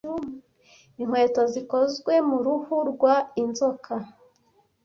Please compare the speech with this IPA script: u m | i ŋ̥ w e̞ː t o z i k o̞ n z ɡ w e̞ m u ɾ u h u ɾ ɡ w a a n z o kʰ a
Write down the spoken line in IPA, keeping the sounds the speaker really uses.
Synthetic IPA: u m | i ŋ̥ w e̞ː t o z i k o̞ z ɡ w e̞ m u ɾ u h u ɾ ɡ w a i n z o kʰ a